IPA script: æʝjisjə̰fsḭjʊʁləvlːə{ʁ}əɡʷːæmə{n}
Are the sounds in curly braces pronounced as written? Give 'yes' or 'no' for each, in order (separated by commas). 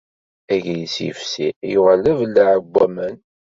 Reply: no, yes